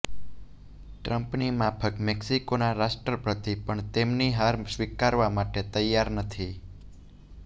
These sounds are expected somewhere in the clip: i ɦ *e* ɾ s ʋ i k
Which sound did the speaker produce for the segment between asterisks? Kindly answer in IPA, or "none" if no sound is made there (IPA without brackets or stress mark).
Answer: a